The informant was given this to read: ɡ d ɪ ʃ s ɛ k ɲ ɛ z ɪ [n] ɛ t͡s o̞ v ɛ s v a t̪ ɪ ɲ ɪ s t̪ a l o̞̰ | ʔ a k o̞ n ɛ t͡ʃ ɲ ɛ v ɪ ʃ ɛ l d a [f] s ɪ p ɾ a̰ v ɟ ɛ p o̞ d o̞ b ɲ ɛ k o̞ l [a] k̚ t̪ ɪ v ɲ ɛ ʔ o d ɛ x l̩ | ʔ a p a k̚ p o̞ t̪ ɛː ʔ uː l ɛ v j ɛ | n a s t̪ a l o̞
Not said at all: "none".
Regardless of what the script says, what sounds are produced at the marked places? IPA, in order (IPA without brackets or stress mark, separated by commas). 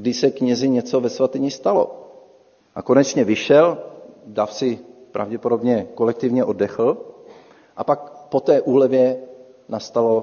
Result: ɲ, f, ɛ